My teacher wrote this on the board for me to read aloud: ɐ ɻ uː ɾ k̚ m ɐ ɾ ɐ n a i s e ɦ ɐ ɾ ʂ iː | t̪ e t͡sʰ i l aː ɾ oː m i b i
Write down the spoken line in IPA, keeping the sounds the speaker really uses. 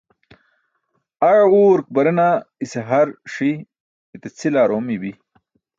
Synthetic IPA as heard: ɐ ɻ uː ɾ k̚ b ɐ ɾ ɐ n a i s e ɦ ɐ ɾ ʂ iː | t̪ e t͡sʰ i l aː ɾ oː m i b i